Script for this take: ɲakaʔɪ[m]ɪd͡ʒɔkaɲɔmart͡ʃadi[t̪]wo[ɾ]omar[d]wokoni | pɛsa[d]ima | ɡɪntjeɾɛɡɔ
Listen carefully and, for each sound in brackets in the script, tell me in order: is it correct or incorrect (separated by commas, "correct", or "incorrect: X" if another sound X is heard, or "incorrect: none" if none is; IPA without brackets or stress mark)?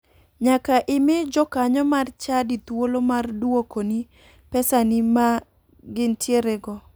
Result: correct, correct, incorrect: l, correct, incorrect: n